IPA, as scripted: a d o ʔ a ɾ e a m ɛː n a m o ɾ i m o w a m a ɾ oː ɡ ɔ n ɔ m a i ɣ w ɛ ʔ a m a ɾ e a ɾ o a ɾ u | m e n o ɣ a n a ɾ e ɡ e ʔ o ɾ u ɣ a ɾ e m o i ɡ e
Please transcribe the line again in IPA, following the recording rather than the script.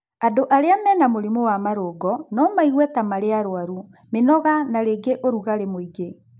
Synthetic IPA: a d o ʔ a ɾ e a m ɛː n a m o ɾ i m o w a m a ɾ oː ɡ ɔ n ɔ m a i ɣ w ɛ t a m a ɾ e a ɾ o a ɾ u | m e n ɔ ɣ a n a ɾ e ɡ e ʔ o ɾ u ɣ a ɾ e m o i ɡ e